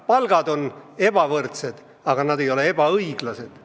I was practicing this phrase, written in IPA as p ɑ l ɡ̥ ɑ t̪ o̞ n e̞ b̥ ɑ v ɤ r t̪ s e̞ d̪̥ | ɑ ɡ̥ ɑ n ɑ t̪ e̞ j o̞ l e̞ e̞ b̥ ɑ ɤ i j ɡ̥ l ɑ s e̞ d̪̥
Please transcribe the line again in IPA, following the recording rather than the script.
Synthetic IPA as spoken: p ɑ l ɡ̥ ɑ d̪ o̞ n e̞ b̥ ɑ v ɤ r t̪ s e̞ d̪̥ | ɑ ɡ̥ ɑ n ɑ d̪ e̞ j o̞ l e̞ e̞ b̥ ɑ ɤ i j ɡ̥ l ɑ s e̞ d̪̥